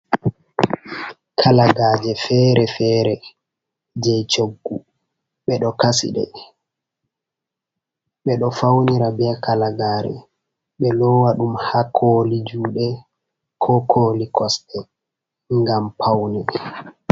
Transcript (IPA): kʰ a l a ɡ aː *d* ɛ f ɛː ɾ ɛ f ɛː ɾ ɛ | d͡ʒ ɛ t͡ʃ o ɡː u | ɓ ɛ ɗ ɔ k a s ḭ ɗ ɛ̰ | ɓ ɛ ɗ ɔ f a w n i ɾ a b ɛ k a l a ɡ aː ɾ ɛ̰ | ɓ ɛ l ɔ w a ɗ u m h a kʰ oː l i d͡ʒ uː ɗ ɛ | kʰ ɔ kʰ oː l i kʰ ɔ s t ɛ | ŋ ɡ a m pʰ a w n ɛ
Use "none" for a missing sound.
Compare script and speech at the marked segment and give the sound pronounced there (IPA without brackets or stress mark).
d͡ʒ